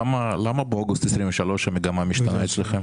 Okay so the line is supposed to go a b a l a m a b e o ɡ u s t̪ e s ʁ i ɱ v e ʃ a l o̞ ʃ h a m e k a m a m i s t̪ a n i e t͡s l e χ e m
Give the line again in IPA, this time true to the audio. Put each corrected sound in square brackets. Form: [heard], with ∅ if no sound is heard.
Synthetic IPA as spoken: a [m] a l a m a b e o ɡ u s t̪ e s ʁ i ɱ v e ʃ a l o̞ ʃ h a m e [ɡ] a m a m i [ʃ] t̪ a n [a] e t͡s l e χ e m

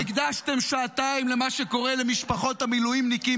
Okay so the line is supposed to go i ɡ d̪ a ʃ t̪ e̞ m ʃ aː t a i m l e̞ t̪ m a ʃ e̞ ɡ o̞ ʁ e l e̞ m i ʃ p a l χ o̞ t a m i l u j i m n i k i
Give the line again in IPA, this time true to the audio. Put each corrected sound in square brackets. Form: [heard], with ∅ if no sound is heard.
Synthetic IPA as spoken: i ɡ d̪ a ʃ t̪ e̞ m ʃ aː t a i m l e̞ [∅] m a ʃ e̞ [k] o̞ ʁ e l e̞ m i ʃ p a [∅] χ o̞ t a m i l u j i m n i k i

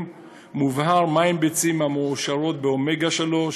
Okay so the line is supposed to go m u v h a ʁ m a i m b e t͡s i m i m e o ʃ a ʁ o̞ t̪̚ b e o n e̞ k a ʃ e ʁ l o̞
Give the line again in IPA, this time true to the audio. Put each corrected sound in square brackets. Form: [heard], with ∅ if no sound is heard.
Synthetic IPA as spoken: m u v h a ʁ m a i m b e t͡s i m [a] m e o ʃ a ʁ o̞ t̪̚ b e o [m] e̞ [ɡ] a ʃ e [∅] l o̞

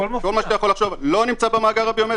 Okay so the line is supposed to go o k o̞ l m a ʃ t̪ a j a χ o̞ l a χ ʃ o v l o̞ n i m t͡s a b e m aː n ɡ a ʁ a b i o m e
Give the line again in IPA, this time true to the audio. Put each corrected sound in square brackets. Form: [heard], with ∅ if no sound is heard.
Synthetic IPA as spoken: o k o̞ l m a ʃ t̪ a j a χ o̞ l a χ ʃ o v l o̞ n i m t͡s a b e m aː [∅] ɡ a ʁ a b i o m e

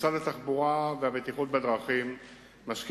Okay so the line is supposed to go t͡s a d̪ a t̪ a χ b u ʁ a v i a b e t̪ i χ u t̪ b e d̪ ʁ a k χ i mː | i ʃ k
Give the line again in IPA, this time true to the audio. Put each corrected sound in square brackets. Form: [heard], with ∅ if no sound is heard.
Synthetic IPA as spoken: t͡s a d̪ a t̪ a χ b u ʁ a v [e] a b e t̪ i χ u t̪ b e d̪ ʁ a [∅] χ i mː | [a] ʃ k

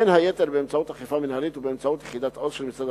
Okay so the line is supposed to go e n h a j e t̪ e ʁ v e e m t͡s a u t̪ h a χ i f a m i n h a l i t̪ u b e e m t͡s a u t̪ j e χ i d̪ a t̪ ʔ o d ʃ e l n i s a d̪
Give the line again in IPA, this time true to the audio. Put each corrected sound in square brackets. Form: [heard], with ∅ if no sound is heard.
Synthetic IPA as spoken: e n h a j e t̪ e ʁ [b] e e m t͡s a u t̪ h a χ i f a m i n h a l i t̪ u b e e m t͡s a u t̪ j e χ i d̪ a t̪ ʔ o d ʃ e l [m] i s a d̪

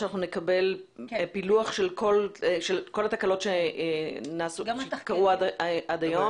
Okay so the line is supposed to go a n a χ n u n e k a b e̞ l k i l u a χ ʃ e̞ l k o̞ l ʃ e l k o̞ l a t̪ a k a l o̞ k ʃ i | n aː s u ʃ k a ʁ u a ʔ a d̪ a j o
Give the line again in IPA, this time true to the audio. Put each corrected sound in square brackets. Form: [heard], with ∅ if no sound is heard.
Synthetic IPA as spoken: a n a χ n u n e k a b e̞ l [p] i l u a χ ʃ e̞ l k o̞ l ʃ e l k o̞ l a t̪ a k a l o̞ [t] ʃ [e] | n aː s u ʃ k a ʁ u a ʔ a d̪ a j o

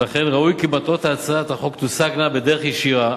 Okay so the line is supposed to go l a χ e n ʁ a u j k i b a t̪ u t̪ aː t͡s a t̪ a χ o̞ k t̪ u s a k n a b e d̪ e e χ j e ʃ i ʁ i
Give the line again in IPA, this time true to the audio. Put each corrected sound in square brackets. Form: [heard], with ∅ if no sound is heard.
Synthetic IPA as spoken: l a χ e n ʁ a u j k i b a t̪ [o] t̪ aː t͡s a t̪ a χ o̞ k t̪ u s a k n a b e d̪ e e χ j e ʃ i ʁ [a]

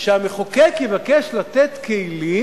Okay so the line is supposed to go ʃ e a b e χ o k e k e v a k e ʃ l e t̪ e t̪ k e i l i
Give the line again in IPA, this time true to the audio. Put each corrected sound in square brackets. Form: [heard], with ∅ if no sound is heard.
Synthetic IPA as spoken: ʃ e a [m] e χ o k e k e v a k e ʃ l [a] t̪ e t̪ k e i l i

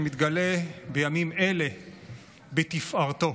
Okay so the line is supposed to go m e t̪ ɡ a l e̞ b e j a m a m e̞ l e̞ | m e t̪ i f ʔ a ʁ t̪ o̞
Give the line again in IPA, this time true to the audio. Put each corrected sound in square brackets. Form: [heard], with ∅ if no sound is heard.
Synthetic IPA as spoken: m [i] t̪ ɡ a l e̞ b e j a m [i] m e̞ l e̞ | [b] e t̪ i f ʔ a ʁ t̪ o̞

